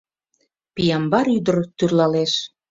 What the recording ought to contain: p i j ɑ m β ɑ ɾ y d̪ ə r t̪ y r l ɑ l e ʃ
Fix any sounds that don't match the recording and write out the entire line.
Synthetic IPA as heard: p i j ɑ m b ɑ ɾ y d̪ ə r t̪ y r l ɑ l e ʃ